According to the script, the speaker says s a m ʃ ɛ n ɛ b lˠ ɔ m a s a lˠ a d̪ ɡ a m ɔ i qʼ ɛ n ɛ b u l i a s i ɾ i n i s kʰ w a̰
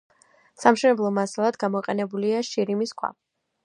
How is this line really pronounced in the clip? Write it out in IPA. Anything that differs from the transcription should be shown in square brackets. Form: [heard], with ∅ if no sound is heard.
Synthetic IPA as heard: s a m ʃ ɛ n ɛ b lˠ ɔ m a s a lˠ a d̪ ɡ a m ɔ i qʼ ɛ n ɛ b u l i a [ʃ] i ɾ i [m] i s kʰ w a̰